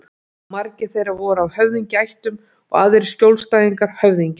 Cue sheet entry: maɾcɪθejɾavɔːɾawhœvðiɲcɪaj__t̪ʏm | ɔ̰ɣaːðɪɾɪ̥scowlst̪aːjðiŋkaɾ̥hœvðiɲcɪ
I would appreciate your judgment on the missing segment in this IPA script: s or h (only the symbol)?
h